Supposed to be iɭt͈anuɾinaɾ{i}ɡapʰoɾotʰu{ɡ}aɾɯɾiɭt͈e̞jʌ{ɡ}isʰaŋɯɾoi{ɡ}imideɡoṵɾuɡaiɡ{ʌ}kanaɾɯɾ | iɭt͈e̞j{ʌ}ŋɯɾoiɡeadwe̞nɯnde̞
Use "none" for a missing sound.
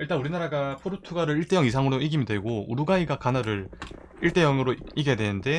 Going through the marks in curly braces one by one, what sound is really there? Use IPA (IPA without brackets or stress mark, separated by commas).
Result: a, ɡ, ŋ, ɡ, a, ʌ